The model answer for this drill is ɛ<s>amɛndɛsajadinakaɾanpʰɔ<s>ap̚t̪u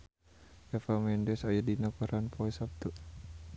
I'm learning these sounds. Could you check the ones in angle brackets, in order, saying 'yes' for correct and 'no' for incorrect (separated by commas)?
no, yes